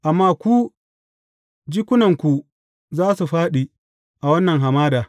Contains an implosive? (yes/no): yes